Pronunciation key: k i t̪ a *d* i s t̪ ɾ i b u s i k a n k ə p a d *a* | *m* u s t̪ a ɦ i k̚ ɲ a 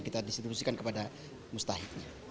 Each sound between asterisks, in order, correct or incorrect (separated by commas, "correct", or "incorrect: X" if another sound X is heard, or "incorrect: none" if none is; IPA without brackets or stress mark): correct, correct, correct